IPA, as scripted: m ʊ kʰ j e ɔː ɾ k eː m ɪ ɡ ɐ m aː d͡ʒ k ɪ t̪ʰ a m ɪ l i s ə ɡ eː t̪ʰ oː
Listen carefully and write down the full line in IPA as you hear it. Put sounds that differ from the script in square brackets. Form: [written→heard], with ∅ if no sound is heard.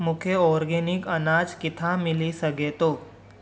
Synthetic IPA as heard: m ʊ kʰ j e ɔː ɾ [k→ɡ] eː [m→n] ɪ [ɡ→k] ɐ [m→n] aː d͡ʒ k ɪ t̪ʰ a m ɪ l i s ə ɡ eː [t̪ʰ→t̪] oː